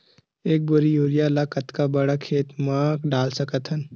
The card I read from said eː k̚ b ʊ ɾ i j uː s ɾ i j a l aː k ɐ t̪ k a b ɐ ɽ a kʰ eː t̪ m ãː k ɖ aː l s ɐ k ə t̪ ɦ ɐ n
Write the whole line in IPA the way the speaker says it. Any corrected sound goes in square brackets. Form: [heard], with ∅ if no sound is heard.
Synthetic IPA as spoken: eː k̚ b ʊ ɾ i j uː [∅] ɾ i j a l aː k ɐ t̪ k a b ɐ ɽ a kʰ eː t̪ m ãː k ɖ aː l s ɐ k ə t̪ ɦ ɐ n